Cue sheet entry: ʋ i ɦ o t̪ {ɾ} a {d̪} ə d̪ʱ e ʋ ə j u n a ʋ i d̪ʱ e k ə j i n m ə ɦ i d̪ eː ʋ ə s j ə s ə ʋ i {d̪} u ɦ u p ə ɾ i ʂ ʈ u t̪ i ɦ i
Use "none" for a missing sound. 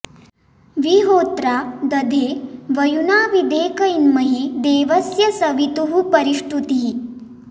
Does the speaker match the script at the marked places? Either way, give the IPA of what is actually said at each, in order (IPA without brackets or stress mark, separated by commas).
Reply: ɾ, d̪, t̪